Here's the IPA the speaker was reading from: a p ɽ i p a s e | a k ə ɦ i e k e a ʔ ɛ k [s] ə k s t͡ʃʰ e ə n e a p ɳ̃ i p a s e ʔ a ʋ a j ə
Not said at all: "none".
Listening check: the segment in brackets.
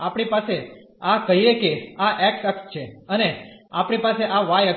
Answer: s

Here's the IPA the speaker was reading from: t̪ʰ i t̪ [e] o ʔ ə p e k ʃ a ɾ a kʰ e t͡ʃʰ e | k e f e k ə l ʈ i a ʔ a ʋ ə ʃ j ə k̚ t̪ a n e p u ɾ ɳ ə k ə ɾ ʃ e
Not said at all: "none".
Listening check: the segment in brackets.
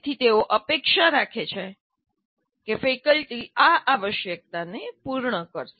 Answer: e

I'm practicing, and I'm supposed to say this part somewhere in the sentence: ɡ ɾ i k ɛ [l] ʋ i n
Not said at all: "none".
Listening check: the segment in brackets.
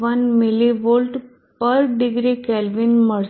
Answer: l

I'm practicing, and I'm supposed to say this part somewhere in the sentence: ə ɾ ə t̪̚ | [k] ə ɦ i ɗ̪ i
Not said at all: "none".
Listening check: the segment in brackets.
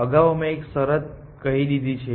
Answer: k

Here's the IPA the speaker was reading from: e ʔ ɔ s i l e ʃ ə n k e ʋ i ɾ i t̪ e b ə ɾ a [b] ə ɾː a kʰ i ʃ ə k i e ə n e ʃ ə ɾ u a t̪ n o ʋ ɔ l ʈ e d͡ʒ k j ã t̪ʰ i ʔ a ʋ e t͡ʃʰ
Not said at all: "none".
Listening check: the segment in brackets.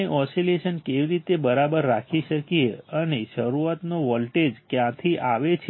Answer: b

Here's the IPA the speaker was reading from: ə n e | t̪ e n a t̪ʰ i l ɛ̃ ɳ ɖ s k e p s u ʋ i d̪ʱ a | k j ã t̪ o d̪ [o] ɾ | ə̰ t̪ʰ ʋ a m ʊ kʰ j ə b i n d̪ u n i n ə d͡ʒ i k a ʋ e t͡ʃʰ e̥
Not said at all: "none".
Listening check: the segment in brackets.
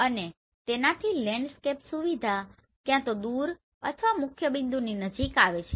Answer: u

